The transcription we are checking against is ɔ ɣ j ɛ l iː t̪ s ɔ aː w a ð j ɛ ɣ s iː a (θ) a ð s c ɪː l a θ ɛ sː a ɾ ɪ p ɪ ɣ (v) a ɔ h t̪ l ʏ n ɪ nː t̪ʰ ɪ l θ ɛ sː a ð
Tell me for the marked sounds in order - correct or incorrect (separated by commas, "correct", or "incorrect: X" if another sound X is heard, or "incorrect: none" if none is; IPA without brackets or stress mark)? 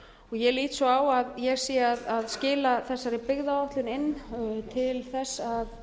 incorrect: ð, incorrect: ð